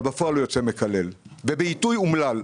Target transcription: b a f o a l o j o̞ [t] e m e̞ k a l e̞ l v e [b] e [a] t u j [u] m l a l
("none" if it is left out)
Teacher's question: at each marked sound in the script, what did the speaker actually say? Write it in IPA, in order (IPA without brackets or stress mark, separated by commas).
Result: t͡s, b, i, u